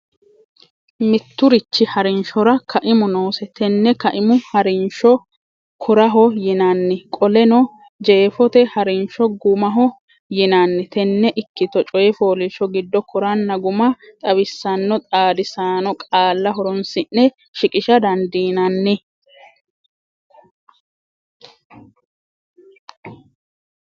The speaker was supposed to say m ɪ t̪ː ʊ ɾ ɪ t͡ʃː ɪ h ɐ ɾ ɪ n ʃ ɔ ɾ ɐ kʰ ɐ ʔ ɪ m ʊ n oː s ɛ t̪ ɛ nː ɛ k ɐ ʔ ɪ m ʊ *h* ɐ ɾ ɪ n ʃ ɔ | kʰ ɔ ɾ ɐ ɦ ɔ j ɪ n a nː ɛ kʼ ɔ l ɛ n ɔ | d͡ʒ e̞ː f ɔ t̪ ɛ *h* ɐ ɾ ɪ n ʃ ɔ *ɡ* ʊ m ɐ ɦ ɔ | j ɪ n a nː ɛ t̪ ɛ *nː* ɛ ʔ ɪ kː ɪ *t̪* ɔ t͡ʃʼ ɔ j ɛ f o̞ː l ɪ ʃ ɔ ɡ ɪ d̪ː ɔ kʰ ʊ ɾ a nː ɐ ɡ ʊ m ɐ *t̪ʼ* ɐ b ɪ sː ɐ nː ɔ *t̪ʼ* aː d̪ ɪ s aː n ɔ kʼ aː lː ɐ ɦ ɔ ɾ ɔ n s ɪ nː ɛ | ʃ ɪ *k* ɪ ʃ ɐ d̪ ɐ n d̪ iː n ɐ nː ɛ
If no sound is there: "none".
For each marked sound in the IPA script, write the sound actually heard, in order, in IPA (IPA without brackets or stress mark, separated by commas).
h, h, ɡ, nː, t̪, t̪ʼ, t̪ʼ, kʼ